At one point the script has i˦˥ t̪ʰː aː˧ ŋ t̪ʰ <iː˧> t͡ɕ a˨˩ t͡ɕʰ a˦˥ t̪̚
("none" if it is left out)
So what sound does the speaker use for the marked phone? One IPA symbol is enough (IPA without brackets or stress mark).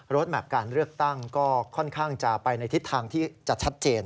iː˥˩